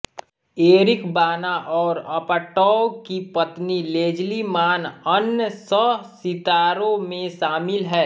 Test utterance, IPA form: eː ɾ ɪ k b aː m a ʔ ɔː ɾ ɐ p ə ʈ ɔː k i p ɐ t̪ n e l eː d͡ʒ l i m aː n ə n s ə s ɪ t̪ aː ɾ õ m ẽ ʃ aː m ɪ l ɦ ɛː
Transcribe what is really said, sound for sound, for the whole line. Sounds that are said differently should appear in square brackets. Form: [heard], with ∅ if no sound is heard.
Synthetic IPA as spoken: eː ɾ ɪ k b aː [n] a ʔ ɔː ɾ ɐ p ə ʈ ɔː k i p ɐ t̪ n [i] l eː d͡ʒ l i m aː n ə n s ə s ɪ t̪ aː ɾ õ m ẽ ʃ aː m ɪ l ɦ ɛː